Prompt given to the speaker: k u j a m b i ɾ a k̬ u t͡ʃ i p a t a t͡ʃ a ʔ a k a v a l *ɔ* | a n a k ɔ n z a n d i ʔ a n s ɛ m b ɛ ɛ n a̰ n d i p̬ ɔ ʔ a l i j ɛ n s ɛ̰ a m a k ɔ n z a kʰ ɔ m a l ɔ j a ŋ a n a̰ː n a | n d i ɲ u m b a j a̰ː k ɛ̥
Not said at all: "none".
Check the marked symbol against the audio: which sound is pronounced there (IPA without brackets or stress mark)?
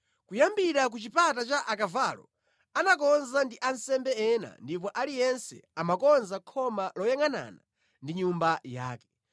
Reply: ɔ